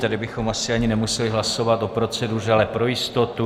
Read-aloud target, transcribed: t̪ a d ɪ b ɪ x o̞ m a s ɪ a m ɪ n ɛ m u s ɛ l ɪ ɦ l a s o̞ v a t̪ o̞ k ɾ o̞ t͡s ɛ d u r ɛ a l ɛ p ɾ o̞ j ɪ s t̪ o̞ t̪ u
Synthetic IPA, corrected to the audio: t̪ a d ɪ b ɪ x o̞ m a s ɪ a ɲ ɪ n ɛ m u s ɛ l ɪ ɦ l a s o̞ v a t̪ o̞ p ɾ o̞ t͡s ɛ d u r ɛ a l ɛ p ɾ o̞ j ɪ s t̪ o̞ t̪ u